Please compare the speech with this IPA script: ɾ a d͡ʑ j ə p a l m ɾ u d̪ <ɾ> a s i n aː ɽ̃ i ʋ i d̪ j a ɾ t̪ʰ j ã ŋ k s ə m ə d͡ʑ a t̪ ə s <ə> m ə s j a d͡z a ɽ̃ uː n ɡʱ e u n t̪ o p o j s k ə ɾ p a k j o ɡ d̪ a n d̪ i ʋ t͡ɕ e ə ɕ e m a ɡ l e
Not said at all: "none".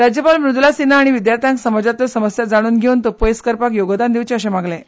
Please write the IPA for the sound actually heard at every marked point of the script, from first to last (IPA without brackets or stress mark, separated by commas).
l, ə